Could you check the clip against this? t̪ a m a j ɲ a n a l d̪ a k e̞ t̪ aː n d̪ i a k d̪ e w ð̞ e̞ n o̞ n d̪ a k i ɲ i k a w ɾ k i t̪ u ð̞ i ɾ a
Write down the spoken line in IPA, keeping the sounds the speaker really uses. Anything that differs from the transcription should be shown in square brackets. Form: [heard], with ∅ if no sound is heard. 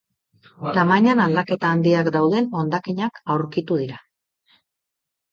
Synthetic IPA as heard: t̪ a m a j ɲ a n a l d̪ a k e̞ t̪ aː n d̪ i a k d̪ [a] w ð̞ e̞ n o̞ n d̪ a k i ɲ [a] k a w ɾ k i t̪ u ð̞ i ɾ a